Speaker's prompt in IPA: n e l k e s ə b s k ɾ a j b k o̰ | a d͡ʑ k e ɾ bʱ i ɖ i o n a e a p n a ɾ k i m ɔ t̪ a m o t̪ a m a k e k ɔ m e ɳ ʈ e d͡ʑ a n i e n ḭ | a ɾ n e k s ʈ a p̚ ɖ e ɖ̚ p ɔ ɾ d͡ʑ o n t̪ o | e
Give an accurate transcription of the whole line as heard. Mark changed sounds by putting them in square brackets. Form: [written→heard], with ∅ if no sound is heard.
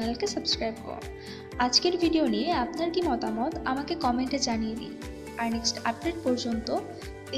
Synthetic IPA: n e l k e s ə b s k ɾ a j b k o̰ | a d͡ʑ k e ɾ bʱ i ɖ i o n [a→i] e a p n a ɾ k i m ɔ t̪ a m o t̪ a m a k e k ɔ m e ɳ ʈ e d͡ʑ a n i e n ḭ | a ɾ n e k s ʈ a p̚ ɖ e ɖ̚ p ɔ ɾ d͡ʑ o n t̪ o | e

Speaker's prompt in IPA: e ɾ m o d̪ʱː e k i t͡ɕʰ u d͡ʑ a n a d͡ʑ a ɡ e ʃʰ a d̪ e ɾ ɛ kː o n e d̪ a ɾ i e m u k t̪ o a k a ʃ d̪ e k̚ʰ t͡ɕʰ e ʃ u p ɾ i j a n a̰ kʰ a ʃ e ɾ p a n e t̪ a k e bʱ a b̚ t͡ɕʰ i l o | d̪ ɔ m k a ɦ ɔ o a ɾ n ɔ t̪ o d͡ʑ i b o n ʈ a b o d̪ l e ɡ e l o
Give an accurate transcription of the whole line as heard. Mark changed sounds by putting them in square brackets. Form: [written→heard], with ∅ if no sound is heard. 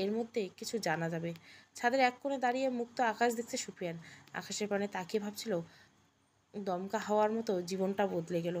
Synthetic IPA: e ɾ m o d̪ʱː e k i t͡ɕʰ u d͡ʑ a n a d͡ʑ a [ɡ→b] e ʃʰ a d̪ e ɾ ɛ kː o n e d̪ a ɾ i e m u k t̪ o a k a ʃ d̪ e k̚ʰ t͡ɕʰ e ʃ u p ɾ i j a n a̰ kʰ a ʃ e ɾ p a n e t̪ a k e bʱ a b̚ t͡ɕʰ i l o | d̪ ɔ m k a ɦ ɔ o a ɾ [n→m] ɔ t̪ o d͡ʑ i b o n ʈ a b o d̪ l e ɡ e l o

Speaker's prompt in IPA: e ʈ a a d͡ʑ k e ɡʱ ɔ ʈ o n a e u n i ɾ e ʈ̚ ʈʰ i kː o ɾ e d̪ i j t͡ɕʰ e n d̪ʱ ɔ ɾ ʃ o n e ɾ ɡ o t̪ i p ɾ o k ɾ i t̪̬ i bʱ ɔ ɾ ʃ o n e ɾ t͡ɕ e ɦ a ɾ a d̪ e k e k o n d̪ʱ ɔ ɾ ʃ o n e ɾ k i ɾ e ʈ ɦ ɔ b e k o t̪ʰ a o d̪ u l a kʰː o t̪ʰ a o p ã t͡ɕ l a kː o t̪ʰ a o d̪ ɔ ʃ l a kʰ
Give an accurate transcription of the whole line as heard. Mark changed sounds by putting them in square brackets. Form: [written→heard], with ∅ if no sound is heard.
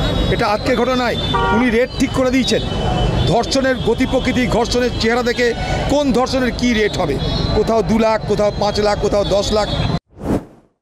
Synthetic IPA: e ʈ a a d͡ʑ k e ɡʱ ɔ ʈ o n a e u n i ɾ e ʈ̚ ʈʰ i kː o ɾ e d̪ i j t͡ɕʰ e n d̪ʱ ɔ ɾ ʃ o n e ɾ ɡ o t̪ i p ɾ o k ɾ i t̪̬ i [bʱ→ɡʱ] ɔ ɾ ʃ o n e ɾ t͡ɕ e ɦ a ɾ a d̪ e k e k o n d̪ʱ ɔ ɾ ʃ o n e ɾ k i ɾ e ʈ ɦ ɔ b e k o t̪ʰ a o d̪ u l a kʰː o t̪ʰ a o p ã t͡ɕ l a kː o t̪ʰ a o d̪ ɔ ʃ l a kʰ

